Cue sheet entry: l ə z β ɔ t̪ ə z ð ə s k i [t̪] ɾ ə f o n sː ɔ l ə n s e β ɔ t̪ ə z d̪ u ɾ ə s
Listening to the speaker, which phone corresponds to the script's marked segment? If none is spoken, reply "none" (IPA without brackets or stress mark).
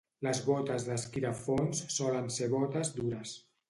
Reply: none